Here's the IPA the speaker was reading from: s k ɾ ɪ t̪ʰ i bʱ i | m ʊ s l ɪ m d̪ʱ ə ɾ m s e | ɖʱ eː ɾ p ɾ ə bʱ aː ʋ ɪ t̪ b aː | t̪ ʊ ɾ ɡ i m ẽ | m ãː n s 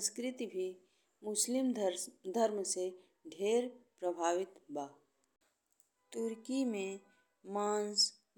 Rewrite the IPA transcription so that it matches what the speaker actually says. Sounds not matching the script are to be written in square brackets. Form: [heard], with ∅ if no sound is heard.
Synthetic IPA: s k ɾ ɪ [t̪] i bʱ i | m ʊ s l ɪ m d̪ʱ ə ɾ m s e | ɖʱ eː ɾ p ɾ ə bʱ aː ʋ ɪ t̪ b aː | t̪ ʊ ɾ [k] i m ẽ | m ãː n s